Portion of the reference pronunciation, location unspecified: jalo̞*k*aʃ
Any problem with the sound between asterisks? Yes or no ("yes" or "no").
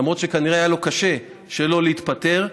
no